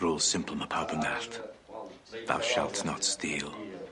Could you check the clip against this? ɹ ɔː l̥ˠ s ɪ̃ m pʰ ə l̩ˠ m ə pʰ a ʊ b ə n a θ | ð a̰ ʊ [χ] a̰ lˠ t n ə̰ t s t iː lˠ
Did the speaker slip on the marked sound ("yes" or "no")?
yes